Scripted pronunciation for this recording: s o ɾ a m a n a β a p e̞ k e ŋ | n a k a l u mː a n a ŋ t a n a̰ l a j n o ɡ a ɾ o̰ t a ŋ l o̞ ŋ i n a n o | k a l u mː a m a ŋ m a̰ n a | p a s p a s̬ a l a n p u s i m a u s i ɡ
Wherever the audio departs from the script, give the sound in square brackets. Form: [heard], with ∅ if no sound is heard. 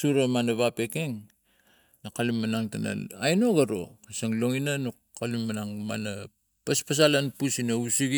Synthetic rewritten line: s [u] ɾ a m a n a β a p e̞ k e ŋ | n a k a l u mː a n a ŋ t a n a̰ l a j n o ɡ a ɾ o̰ [s] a ŋ l o̞ ŋ i n a n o | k a l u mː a [n] a ŋ m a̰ n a | p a s p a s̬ a l a n p u s i [n] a u s i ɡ